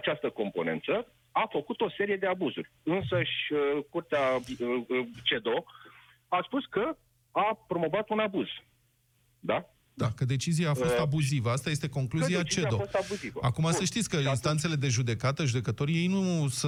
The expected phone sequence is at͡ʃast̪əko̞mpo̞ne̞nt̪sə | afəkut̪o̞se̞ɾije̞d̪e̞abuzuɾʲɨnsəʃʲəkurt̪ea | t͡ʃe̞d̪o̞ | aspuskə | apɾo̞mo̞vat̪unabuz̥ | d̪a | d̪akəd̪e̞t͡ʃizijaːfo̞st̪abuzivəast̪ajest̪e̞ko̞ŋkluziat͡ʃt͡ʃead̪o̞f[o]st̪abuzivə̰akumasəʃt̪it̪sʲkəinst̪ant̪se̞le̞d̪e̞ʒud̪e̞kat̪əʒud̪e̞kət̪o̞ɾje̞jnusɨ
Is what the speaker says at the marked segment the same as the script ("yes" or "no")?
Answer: yes